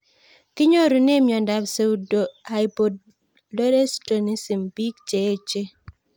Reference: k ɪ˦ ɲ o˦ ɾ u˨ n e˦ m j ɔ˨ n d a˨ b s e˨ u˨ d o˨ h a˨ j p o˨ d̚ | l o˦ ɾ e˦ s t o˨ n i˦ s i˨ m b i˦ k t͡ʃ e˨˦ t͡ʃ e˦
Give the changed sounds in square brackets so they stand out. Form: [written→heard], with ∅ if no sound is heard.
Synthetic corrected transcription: k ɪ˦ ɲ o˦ ɾ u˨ n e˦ m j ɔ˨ n d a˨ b s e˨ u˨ d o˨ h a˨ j p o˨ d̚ | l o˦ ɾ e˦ s t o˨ n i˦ s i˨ m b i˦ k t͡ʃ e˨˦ t͡ʃ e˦